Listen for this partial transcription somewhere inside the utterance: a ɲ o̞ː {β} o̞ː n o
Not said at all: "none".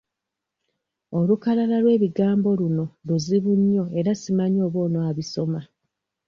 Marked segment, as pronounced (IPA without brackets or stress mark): β